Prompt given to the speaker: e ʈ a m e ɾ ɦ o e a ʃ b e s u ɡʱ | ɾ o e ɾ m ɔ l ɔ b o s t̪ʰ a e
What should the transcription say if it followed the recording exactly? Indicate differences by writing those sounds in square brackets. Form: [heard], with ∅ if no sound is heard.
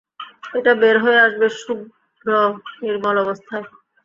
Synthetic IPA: e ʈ a [b] e ɾ ɦ o e a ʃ b e [ʃ] u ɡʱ | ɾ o e ɾ m ɔ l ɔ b o s t̪ʰ a e

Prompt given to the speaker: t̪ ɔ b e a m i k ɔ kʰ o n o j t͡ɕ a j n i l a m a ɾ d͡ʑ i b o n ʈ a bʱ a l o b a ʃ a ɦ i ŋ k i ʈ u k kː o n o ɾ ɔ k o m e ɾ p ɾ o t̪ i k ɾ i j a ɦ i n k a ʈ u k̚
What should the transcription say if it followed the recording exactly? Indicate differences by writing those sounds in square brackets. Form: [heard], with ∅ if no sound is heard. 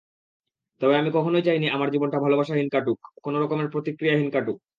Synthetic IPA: t̪ ɔ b e a m i k ɔ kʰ o n o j t͡ɕ a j n i [∅] a m a ɾ d͡ʑ i b o n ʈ a bʱ a l o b a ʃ a ɦ i [n] k [a] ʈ u k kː o n o ɾ ɔ k o m e ɾ p ɾ o t̪ i k ɾ i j a ɦ i n k a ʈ u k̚

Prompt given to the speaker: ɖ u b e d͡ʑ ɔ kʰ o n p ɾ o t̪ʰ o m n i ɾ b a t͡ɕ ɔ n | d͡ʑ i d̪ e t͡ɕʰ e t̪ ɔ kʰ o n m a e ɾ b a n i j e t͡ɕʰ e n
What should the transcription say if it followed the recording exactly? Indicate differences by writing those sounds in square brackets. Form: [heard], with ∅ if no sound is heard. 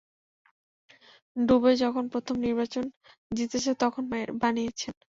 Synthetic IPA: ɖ u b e d͡ʑ ɔ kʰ o n p ɾ o t̪ʰ o m n i ɾ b a t͡ɕ [o] n | d͡ʑ i [t̪] e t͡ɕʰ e t̪ ɔ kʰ o n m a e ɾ b a n i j e t͡ɕʰ e n

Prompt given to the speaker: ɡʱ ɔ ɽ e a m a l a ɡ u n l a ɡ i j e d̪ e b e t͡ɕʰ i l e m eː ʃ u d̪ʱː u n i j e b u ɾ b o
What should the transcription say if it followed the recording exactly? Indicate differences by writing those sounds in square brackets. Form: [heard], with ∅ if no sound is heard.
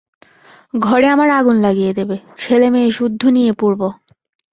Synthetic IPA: ɡʱ ɔ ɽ e a m a [ɾ] a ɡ u n l a ɡ i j e d̪ e b e t͡ɕʰ [e] l e m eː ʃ u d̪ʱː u n i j e [p] u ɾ b o

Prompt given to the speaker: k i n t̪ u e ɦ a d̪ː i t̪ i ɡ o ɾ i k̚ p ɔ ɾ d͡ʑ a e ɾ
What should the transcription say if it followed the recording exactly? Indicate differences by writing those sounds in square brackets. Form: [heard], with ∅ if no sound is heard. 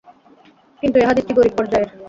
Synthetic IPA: k i n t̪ u e ɦ a [d̪] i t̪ i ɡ o ɾ i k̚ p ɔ ɾ d͡ʑ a e ɾ

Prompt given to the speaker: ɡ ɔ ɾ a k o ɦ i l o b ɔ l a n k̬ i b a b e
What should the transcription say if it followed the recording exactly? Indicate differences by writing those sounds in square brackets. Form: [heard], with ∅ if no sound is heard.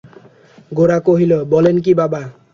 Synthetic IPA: ɡ [o] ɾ a k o ɦ i l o b ɔ l [e] n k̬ i b a b [a]

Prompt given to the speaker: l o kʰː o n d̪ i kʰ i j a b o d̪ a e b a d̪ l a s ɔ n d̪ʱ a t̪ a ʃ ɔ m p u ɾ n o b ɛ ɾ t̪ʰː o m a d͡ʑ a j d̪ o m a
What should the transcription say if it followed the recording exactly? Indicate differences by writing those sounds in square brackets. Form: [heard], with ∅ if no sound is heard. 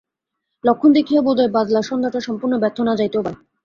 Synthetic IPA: l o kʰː o n d̪ [e] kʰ i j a b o d̪ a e b a d̪ l a [ʃ] ɔ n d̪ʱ a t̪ a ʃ ɔ m p u ɾ n o b ɛ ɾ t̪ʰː o [n] a d͡ʑ a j [t̪] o [b] a

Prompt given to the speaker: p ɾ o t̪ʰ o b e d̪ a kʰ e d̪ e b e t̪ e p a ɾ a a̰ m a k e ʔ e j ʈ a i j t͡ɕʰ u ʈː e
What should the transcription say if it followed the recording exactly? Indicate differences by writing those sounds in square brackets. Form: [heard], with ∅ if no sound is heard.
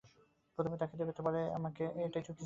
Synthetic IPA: p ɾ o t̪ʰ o [m] e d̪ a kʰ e d̪ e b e t̪ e p a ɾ [e] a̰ m a k e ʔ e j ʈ a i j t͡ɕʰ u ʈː [i]

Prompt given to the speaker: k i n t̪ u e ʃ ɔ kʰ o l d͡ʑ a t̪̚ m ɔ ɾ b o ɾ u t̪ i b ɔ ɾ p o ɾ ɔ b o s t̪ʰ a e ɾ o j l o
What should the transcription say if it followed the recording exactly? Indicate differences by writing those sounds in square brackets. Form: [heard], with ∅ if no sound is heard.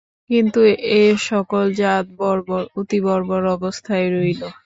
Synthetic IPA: k i n t̪ u e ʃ ɔ [k] o l d͡ʑ a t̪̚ [b] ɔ ɾ b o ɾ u t̪ i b ɔ ɾ [b] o ɾ ɔ b o s t̪ʰ a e ɾ o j l o

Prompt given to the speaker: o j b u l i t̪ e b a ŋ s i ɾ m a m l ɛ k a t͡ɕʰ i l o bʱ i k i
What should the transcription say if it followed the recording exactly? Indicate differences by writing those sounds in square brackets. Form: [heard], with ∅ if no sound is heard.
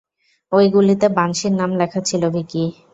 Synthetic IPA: o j [ɡ] u l i t̪ e b a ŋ [ʃ] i ɾ [n] a m l ɛ [kʰ] a t͡ɕʰ i l o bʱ i k i

